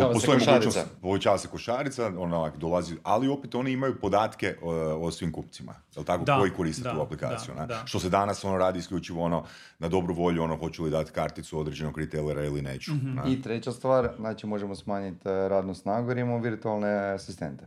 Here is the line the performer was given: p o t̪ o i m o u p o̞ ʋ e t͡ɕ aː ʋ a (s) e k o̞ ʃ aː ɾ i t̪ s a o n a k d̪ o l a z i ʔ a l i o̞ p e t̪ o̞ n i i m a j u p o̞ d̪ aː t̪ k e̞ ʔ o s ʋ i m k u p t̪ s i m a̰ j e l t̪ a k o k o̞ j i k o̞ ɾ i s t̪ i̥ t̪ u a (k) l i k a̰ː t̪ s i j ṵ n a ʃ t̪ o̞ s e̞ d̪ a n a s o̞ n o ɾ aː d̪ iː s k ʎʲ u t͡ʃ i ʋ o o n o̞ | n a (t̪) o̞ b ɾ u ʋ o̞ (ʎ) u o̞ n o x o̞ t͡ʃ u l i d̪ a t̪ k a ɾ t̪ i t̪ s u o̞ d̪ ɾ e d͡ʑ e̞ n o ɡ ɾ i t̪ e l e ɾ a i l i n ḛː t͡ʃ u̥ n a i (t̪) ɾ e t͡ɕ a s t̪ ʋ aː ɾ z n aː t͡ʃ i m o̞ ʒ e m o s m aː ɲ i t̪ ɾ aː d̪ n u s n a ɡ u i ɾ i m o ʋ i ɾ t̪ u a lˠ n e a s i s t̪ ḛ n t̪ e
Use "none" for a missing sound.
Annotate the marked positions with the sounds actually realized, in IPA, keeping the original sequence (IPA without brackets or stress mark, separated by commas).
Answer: s, p, d̪, ʎ, t̪